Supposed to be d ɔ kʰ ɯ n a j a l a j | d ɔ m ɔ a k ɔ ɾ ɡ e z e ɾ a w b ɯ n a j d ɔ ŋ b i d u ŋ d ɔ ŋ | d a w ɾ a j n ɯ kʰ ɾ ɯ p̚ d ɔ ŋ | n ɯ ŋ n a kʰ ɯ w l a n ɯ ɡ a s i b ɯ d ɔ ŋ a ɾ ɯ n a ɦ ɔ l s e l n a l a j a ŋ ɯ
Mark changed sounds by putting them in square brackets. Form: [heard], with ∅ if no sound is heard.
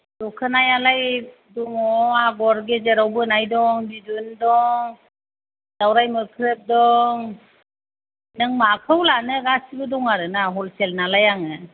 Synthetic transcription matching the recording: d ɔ kʰ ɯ n a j a l a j | d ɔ [ŋ] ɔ a [ɡ] ɔ ɾ ɡ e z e ɾ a w b ɯ n a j d ɔ ŋ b i d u [n] d ɔ ŋ | d a w ɾ a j [m] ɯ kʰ ɾ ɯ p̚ d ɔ ŋ | n ɯ ŋ [m] a kʰ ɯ w l a n ɯ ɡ a s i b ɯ d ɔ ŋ a ɾ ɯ n a ɦ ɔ l s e l n a l a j a ŋ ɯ